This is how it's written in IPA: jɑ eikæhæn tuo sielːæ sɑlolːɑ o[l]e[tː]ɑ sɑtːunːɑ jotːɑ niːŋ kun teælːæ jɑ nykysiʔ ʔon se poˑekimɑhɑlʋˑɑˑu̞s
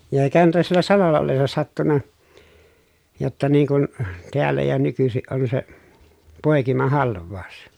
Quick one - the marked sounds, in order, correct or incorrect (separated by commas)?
incorrect, incorrect